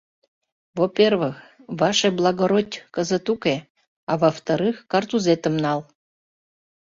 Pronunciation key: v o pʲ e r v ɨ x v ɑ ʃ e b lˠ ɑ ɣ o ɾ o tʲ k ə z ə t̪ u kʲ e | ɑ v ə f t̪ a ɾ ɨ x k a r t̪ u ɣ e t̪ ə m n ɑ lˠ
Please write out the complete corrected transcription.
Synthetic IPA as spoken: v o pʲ e r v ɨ x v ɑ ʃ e b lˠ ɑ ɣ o ɾ o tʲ k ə z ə t̪ u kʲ e | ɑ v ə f t̪ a ɾ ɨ x k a r t̪ u z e t̪ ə m n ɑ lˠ